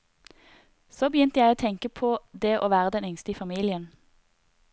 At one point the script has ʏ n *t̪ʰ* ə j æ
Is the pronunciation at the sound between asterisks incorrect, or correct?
incorrect: t̪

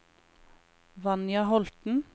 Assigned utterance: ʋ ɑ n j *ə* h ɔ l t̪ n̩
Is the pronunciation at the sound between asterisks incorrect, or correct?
incorrect: ɑ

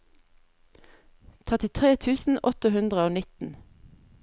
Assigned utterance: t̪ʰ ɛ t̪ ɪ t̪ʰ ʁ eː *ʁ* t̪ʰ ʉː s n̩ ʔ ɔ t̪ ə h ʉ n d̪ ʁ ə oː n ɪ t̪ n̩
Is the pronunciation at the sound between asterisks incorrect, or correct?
incorrect: none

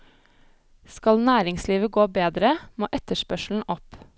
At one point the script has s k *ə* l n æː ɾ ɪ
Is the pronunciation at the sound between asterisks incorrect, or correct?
incorrect: ɑ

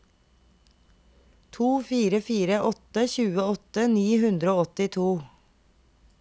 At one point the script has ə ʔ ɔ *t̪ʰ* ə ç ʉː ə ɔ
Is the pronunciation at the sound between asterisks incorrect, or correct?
incorrect: t̪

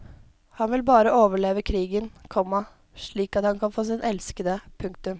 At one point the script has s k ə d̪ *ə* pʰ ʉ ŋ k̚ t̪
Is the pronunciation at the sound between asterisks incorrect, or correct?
correct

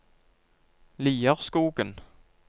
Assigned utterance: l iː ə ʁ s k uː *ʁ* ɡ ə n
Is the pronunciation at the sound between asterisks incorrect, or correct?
incorrect: none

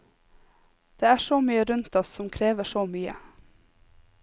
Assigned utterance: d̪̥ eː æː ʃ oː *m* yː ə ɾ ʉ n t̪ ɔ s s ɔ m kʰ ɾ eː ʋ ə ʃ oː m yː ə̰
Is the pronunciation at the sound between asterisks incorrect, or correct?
correct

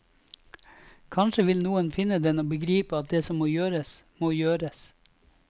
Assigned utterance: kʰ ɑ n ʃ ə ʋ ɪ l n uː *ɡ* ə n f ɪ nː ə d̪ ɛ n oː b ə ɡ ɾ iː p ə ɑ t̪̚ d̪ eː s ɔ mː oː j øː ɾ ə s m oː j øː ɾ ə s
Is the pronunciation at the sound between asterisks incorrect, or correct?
incorrect: none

